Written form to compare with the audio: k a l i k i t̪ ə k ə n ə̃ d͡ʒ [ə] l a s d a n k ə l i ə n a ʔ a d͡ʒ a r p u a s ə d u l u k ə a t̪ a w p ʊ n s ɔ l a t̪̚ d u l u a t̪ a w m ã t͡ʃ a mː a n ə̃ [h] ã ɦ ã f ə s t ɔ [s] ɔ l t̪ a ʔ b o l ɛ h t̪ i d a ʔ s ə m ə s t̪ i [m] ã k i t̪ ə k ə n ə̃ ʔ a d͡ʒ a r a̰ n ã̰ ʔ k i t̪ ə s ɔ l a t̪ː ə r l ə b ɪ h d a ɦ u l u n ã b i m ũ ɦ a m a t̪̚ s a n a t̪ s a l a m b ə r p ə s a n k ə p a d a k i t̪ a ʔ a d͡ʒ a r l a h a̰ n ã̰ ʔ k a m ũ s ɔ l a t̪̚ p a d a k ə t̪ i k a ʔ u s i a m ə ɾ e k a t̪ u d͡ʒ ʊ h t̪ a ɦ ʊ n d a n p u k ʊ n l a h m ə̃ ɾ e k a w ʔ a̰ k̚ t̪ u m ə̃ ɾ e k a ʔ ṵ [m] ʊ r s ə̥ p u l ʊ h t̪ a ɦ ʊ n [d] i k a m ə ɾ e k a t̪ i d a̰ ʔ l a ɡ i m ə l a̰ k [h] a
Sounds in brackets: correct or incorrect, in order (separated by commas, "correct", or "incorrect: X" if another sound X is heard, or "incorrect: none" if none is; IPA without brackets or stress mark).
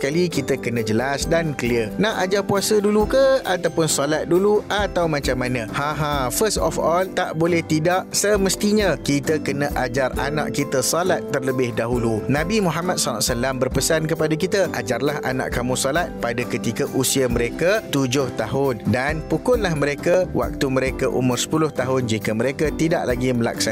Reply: correct, correct, incorrect: f, incorrect: ɲ, correct, incorrect: d͡ʒ, incorrect: s